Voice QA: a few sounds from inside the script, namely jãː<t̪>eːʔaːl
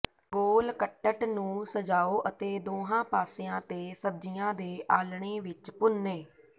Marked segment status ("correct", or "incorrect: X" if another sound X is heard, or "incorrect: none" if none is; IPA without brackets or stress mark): incorrect: d̪